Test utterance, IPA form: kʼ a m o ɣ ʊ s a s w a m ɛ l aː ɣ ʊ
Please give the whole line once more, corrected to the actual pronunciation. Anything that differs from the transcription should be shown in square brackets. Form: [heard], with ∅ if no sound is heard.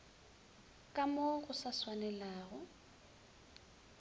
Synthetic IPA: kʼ a m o ɣ ʊ s a s w a [n] ɛ l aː ɣ ʊ